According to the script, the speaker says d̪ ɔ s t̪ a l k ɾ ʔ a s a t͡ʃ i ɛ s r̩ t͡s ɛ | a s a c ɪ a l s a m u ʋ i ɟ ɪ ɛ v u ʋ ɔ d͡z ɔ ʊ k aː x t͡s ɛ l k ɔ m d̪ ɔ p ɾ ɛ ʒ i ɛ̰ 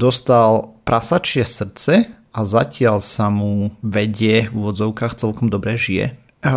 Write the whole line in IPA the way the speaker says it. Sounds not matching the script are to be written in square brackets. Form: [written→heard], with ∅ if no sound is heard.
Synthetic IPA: d̪ ɔ s t̪ a l [k→p] ɾ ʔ a s a t͡ʃ [i→ɪ] ɛ s r̩ t͡s ɛ | a [s→z] a c ɪ a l s a m u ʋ [i→ɛ] ɟ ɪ ɛ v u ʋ ɔ d͡z ɔ ʊ k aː x t͡s ɛ l k ɔ m d̪ ɔ [p→b] ɾ ɛ ʒ i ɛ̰